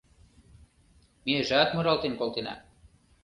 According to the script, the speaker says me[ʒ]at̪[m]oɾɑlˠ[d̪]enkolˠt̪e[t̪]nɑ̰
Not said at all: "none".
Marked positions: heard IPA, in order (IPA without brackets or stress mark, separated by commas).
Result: ʒ, m, t̪, none